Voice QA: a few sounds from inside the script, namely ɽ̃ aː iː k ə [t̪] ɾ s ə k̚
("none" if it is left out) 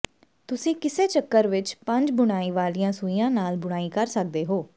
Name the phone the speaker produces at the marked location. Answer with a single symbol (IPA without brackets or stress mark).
none